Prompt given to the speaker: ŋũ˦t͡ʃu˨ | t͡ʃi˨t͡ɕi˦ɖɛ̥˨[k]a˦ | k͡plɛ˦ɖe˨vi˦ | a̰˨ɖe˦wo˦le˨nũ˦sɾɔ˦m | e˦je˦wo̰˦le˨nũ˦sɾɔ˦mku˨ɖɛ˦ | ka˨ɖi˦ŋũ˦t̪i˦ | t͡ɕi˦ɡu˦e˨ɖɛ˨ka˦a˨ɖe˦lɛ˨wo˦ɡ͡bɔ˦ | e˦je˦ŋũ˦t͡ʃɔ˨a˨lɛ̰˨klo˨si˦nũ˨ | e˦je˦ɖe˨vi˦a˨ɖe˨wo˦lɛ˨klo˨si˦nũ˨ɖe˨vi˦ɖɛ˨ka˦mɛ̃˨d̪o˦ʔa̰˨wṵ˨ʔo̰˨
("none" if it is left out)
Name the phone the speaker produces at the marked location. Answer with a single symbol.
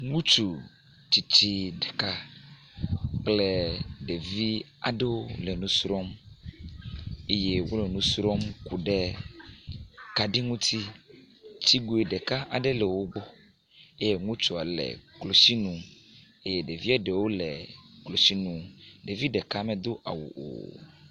k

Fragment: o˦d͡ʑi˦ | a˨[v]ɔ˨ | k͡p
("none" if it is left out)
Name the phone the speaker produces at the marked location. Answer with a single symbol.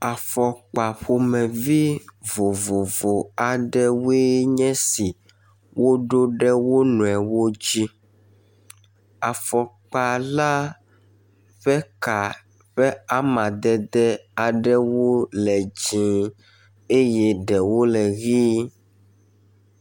f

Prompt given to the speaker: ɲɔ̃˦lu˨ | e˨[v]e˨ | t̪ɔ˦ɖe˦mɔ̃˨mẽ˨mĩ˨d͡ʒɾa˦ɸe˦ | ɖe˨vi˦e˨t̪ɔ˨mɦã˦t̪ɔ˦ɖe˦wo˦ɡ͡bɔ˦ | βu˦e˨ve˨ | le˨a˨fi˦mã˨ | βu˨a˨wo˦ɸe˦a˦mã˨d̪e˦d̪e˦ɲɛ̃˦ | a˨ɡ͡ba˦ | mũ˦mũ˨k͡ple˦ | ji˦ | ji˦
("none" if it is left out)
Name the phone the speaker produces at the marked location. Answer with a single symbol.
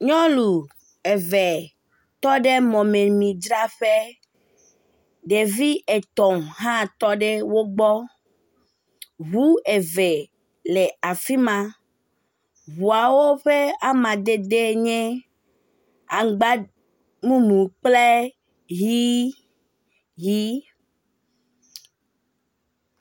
v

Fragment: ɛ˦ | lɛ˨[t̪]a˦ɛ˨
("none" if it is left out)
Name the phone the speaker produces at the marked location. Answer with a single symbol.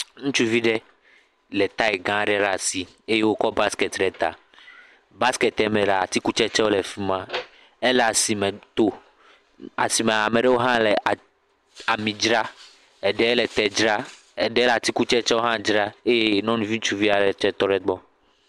t̪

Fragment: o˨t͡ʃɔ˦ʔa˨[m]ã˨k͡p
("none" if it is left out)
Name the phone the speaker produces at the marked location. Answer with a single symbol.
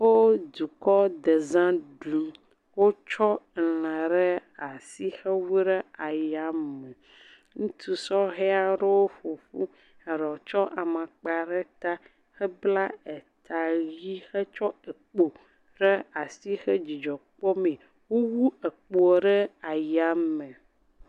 m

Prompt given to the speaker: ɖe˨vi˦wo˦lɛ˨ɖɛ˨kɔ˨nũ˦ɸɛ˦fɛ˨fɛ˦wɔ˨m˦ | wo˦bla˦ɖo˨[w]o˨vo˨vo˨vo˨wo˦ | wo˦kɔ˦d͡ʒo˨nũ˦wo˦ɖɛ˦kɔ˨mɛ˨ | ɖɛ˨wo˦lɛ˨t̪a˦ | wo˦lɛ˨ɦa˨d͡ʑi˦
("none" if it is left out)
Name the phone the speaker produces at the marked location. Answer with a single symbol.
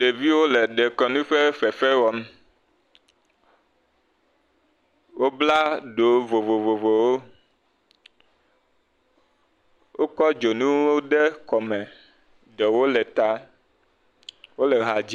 v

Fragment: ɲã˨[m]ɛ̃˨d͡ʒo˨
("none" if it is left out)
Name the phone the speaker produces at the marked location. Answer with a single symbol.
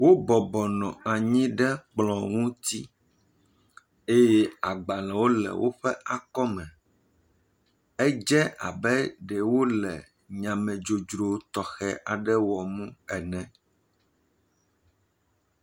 m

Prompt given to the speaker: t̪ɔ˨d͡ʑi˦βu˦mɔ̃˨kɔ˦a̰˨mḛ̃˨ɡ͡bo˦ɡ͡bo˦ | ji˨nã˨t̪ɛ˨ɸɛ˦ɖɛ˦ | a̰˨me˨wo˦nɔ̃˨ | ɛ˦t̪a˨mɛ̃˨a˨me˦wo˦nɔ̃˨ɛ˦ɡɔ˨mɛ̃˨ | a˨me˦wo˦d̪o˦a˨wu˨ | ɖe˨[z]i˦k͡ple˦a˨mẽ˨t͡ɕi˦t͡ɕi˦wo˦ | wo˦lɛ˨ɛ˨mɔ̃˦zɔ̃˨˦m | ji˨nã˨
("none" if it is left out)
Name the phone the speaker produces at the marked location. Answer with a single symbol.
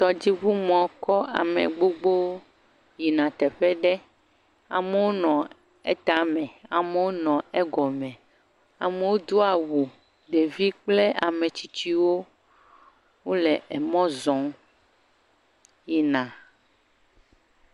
v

